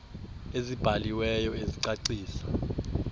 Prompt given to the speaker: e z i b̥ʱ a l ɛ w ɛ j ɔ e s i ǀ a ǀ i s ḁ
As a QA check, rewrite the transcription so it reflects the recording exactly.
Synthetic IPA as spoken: e z i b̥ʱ a l i w ɛ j ɔ e z i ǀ a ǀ iː s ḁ